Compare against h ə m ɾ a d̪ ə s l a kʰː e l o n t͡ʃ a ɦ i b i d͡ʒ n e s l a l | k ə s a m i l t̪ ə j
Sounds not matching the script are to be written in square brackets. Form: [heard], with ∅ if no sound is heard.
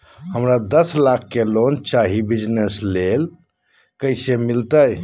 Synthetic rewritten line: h ə m ɾ a d̪ ə s l a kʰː e l o n t͡ʃ a ɦ i b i d͡ʒ n e s l [e] l | k ə s [e] m i l t̪ ə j